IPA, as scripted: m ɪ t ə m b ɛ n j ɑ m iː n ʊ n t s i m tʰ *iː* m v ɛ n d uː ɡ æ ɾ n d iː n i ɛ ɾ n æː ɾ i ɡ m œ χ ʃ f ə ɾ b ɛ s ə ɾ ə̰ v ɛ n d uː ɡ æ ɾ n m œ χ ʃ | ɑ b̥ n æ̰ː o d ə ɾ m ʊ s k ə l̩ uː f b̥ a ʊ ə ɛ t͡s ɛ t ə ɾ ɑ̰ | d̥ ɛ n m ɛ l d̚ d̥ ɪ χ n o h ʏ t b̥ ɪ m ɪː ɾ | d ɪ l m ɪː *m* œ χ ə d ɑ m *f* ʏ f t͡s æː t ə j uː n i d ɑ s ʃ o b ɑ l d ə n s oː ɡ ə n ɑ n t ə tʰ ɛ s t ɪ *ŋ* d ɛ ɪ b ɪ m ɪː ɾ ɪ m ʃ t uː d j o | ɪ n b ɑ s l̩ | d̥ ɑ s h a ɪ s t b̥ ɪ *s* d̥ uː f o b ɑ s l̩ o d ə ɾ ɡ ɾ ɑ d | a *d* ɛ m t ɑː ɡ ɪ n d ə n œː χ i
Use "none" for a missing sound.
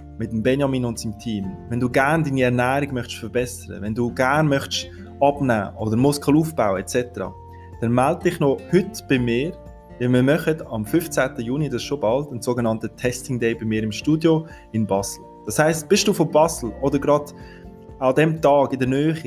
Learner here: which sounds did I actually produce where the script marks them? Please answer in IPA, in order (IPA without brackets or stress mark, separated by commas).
iː, m, f, ŋ, ʃ, d